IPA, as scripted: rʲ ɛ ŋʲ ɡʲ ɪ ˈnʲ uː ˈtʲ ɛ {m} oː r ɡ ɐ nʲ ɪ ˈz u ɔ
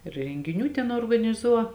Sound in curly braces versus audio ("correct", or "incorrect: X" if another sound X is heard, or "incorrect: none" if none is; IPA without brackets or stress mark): incorrect: n